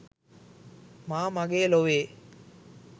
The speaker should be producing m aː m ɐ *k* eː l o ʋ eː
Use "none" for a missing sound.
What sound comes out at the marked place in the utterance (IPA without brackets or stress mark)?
ɡ